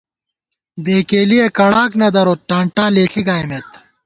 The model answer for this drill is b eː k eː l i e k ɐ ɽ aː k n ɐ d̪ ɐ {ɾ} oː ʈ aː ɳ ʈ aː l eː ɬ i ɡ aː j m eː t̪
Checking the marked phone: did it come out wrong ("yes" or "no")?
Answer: no